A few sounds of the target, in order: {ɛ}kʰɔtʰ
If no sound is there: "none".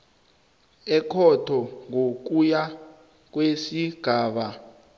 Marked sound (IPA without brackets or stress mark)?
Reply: ɛ